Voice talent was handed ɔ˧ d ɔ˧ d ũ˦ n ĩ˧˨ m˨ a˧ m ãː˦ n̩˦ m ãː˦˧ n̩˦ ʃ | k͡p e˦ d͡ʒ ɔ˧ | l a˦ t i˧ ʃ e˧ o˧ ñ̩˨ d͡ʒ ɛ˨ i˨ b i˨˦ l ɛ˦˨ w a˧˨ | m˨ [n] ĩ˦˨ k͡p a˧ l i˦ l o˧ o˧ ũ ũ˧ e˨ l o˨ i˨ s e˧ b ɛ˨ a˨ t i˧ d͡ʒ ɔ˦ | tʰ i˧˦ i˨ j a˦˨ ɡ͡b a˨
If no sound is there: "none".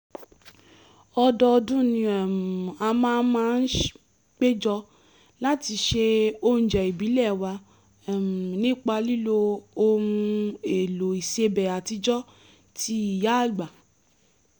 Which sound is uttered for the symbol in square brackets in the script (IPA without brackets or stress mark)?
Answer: n